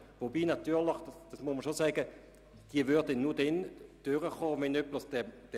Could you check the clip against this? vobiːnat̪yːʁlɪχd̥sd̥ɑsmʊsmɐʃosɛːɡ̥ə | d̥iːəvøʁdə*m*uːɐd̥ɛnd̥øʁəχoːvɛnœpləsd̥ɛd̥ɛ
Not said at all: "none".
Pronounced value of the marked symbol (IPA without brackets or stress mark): n